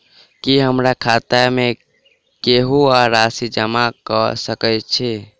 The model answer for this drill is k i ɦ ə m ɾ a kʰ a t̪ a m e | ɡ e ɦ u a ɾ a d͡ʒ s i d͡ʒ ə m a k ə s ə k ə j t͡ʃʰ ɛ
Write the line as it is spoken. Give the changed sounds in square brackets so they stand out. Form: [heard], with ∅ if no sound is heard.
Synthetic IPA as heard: k i ɦ ə m ɾ a kʰ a t̪ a m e | [k] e ɦ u a ɾ a [∅] s i d͡ʒ ə m a k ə s ə k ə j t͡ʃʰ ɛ